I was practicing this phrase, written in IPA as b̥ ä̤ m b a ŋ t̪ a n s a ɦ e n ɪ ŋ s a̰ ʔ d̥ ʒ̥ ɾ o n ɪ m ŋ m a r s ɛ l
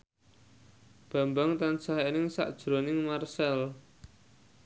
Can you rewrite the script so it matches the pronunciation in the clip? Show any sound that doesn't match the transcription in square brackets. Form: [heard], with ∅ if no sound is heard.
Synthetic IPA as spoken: b̥ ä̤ m b a ŋ t̪ a n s a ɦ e n ɪ ŋ s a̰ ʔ d̥ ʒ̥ ɾ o n ɪ [∅] ŋ m a r s ɛ l